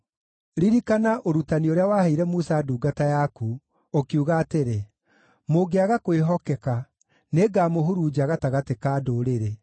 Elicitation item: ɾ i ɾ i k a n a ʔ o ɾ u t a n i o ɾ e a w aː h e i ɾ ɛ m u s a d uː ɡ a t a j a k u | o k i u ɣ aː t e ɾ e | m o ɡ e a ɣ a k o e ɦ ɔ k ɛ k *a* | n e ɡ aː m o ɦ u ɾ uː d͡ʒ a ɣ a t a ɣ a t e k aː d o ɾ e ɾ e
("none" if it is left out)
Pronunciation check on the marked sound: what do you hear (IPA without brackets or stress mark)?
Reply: a